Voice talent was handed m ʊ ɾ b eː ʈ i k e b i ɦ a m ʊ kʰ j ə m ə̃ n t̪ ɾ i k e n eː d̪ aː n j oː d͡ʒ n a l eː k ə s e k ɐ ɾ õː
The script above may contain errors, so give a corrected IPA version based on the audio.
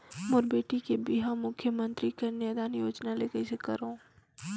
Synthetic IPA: m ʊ ɾ b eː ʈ i k e b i ɦ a m ʊ kʰ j ə m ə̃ n t̪ ɾ i k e n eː d̪ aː n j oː d͡ʒ n a l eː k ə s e k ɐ ɾ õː